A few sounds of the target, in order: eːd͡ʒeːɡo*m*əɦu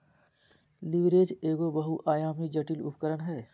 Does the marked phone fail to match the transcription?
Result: yes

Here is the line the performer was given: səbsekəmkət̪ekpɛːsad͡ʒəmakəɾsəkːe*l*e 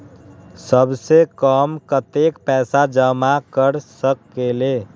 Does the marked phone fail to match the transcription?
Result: no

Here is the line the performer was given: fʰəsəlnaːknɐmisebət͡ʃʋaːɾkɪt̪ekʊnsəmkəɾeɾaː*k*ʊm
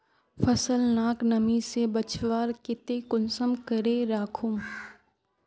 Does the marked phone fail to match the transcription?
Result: yes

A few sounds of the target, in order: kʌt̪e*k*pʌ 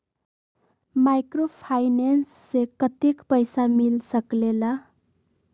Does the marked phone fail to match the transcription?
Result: no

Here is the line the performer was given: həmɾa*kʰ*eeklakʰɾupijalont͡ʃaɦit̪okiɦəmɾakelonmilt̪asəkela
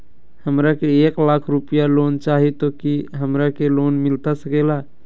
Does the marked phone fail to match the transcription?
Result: yes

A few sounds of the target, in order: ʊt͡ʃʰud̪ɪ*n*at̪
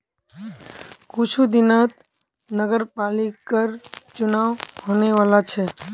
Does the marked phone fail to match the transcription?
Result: no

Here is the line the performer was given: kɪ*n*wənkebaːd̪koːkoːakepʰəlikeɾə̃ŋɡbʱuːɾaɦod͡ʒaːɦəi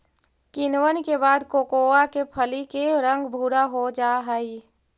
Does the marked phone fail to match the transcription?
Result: no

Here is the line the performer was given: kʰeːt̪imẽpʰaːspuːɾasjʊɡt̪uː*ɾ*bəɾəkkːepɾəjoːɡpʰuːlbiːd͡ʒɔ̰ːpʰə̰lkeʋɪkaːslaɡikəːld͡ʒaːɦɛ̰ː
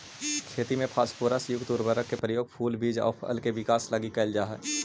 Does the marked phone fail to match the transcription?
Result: no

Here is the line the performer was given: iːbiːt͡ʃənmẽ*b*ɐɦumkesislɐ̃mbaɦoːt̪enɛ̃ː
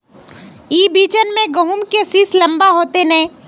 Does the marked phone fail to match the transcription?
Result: yes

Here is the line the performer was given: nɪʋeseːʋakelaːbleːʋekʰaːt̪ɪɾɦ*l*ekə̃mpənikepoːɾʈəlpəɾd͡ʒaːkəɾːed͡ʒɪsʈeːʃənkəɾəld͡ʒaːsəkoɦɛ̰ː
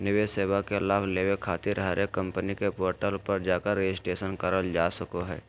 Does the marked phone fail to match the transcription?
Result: yes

